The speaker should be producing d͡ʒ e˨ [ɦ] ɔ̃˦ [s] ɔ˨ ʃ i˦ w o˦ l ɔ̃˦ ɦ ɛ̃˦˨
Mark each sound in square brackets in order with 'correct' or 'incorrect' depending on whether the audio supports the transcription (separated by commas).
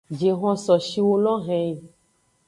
correct, correct